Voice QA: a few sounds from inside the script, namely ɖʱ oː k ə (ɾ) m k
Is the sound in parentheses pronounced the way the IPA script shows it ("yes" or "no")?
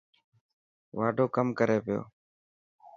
no